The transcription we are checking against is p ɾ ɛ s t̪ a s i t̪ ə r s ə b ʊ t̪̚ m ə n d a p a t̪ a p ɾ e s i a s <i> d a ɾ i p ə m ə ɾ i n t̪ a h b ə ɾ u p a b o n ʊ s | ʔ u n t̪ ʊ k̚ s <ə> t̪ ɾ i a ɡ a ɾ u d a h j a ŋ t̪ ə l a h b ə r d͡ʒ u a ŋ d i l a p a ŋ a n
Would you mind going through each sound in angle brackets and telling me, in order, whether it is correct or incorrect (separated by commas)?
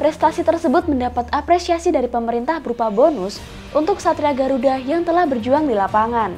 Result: correct, incorrect